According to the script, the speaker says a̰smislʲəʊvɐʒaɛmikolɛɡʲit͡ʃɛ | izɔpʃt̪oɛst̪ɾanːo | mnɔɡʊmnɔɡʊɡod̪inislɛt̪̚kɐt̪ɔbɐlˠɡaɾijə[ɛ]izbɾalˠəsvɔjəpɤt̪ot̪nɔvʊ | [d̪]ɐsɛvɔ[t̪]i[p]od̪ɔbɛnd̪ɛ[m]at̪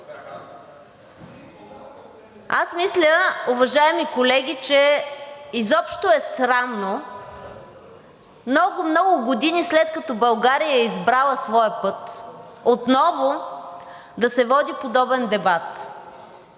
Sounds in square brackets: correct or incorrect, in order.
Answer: correct, correct, incorrect, correct, incorrect

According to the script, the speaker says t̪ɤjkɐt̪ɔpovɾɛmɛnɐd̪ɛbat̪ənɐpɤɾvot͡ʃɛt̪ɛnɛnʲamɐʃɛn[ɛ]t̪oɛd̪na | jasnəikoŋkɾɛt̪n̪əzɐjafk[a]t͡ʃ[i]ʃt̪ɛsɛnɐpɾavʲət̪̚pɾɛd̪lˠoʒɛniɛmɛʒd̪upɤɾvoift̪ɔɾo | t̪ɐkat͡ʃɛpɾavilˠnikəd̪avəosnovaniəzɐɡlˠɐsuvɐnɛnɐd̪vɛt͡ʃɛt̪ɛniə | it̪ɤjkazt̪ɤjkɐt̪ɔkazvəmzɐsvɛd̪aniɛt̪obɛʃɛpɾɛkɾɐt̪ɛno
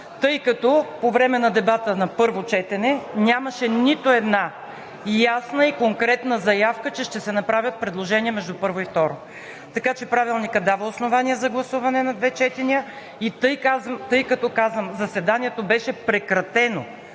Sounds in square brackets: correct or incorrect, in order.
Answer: incorrect, incorrect, incorrect

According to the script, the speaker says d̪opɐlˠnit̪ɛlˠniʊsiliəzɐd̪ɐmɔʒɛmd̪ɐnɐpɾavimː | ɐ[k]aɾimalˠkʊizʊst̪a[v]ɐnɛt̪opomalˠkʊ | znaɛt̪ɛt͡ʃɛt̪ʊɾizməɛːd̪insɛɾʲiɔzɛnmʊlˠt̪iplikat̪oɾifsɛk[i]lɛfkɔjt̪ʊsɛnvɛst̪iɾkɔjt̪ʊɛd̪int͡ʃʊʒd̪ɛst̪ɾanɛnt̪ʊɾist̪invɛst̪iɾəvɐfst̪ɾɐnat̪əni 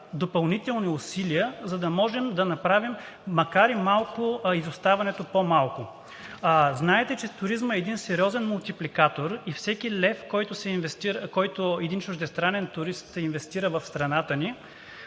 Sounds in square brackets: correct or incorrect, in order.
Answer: correct, correct, correct

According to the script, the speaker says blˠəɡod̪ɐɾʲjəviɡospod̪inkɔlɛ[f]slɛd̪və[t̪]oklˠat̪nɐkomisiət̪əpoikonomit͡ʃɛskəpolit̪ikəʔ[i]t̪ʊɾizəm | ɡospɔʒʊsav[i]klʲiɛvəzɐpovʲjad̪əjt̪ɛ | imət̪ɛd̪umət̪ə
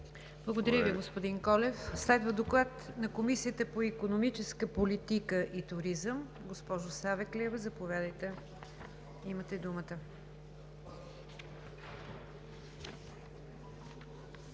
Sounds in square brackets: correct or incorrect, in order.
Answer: correct, incorrect, correct, incorrect

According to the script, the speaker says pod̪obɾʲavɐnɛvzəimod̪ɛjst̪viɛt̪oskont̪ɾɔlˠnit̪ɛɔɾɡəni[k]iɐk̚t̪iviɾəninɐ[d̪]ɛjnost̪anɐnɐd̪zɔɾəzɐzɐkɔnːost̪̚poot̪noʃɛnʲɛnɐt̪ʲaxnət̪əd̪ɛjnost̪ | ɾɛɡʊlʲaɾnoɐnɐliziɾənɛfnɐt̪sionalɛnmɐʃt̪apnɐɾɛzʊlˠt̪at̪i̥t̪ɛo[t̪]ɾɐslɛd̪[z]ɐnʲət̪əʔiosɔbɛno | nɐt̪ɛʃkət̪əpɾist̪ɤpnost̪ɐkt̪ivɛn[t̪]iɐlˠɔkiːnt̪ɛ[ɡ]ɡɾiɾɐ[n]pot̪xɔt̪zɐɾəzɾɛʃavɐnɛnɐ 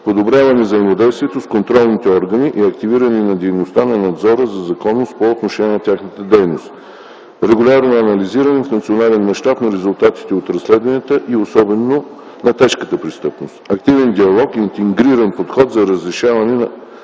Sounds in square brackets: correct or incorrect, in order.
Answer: incorrect, correct, correct, incorrect, incorrect, incorrect, correct

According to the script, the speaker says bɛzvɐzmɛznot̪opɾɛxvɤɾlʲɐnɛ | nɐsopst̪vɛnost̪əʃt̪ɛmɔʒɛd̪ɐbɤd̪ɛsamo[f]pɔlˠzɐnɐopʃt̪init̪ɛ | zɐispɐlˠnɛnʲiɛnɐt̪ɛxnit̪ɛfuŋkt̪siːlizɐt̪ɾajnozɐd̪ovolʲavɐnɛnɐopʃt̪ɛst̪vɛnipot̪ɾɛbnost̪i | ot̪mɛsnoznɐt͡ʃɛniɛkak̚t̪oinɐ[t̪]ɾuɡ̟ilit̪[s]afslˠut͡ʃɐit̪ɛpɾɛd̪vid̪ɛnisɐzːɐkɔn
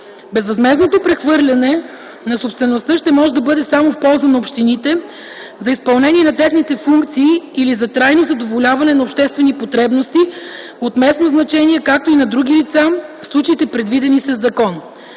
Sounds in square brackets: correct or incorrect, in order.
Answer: correct, incorrect, correct

